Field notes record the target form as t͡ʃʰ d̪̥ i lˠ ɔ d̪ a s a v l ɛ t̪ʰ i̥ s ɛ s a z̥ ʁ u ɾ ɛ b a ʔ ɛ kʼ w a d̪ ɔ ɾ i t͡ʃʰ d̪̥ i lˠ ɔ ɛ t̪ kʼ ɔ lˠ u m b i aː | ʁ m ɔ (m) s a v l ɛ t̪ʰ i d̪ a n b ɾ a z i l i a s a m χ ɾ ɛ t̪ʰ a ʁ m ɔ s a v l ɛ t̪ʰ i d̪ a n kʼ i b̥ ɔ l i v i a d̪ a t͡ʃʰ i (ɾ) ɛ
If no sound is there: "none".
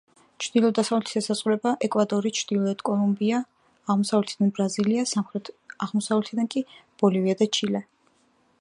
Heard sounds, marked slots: none, l

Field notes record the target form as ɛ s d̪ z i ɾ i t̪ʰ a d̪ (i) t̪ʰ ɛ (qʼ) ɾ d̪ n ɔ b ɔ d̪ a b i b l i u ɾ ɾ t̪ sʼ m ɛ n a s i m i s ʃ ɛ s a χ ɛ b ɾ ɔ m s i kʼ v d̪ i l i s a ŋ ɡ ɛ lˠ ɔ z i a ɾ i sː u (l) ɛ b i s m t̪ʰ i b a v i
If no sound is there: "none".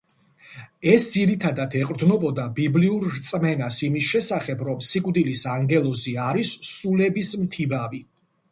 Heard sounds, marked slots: a, qʼ, l

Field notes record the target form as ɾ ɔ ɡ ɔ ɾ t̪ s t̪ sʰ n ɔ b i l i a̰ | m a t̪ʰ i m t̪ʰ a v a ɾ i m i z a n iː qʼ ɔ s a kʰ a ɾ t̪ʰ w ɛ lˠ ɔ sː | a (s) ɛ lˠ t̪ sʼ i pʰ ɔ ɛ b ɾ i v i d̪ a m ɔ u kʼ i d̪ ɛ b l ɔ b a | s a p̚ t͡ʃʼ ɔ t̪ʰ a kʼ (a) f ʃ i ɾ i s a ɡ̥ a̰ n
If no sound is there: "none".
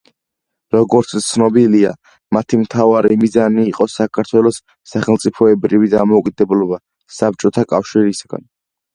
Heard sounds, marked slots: χ, a

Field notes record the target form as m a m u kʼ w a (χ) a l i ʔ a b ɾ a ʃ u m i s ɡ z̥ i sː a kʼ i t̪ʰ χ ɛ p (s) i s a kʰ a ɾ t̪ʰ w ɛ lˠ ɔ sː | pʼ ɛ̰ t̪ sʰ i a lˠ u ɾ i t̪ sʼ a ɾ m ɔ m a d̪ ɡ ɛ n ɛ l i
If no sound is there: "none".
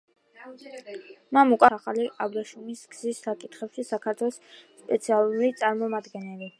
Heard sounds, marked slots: χ, ʃ

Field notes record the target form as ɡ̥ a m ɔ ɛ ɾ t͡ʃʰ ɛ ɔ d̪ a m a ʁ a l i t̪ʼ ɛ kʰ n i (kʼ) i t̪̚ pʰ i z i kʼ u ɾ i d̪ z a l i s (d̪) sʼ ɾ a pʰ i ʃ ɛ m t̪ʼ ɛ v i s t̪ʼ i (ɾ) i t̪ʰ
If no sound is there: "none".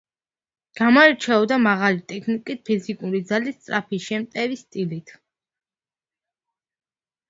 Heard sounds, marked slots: kʼ, t̪, l

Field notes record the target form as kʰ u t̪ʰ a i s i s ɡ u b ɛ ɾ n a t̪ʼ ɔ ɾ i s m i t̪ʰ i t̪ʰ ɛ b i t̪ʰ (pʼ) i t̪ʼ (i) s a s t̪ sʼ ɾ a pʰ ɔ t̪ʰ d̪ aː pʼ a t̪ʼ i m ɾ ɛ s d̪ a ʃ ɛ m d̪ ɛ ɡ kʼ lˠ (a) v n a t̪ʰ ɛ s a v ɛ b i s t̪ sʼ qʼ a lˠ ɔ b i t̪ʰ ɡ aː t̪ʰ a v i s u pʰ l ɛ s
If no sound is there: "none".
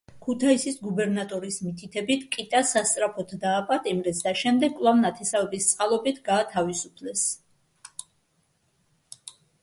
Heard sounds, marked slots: kʼ, a, a

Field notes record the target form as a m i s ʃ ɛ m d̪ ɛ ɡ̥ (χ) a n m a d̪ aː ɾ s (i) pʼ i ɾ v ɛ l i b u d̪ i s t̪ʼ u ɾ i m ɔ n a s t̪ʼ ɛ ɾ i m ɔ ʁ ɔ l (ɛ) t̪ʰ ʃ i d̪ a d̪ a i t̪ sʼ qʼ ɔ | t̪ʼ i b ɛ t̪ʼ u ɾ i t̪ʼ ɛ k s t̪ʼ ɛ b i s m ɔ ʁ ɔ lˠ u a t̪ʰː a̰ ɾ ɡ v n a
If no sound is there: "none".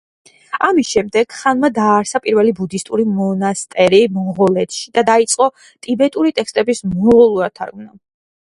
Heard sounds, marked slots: χ, a, ɛ

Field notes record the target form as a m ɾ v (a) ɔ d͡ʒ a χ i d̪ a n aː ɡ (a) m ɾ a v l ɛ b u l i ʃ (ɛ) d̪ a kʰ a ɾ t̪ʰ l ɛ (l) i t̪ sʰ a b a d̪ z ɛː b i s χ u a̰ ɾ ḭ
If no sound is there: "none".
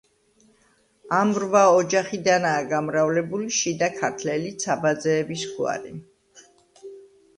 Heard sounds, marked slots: a, a, i, l

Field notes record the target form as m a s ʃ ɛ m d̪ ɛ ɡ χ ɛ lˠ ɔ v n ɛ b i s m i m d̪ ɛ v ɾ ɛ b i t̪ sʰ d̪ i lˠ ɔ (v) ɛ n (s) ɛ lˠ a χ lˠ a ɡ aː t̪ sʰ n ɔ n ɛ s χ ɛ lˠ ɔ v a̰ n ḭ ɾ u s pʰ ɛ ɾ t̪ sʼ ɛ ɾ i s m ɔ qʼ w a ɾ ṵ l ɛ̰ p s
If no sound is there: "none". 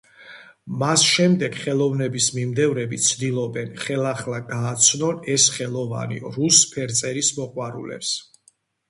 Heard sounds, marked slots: b, χ

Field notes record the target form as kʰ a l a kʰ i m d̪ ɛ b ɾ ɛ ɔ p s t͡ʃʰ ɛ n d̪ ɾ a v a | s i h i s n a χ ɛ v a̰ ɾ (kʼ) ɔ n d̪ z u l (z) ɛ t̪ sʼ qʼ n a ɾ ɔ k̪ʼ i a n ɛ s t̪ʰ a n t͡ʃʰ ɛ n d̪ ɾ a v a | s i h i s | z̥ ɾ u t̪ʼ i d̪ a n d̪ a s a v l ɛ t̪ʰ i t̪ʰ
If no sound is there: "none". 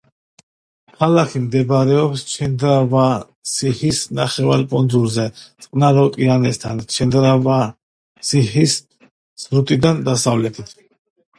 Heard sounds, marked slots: pʼ, z

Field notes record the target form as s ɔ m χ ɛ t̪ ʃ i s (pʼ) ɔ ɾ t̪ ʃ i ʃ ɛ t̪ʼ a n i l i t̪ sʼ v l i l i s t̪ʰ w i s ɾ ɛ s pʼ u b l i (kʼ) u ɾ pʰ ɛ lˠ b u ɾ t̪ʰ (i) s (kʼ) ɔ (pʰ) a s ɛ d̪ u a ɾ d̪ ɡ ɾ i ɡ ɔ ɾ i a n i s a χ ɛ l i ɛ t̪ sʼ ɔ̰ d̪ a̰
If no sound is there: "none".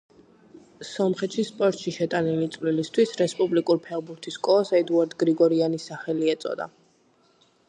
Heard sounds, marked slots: pʼ, kʼ, i, kʼ, none

